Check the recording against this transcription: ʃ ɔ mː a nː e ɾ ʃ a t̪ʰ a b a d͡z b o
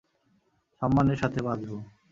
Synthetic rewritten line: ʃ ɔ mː a n e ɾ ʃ a t̪ʰ e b a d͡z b o